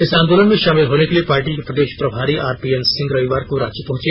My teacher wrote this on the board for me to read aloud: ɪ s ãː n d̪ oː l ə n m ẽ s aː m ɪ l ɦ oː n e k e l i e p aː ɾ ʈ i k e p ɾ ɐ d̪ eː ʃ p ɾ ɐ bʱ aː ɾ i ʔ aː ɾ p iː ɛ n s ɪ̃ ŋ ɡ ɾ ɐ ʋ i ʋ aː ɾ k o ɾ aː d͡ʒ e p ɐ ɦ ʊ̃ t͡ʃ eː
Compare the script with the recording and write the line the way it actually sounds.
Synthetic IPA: ɪ s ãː n d̪ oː l ə n m ẽ ʃ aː m ɪ l ɦ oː n e k e l i e p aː ɾ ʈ i k e p ɾ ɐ d̪ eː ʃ p ɾ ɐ bʱ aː ɾ i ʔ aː ɾ p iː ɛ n s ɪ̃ ŋ ɡ ɾ ɐ ʋ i ʋ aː ɾ k o ɾ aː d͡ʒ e p ɐ ɦ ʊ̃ t͡ʃ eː